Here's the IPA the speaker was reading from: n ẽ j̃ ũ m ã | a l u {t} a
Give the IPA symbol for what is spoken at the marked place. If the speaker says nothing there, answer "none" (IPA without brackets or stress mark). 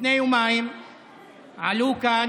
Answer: k